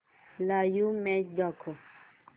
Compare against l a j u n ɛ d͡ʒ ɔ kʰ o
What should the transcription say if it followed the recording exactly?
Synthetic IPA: l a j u m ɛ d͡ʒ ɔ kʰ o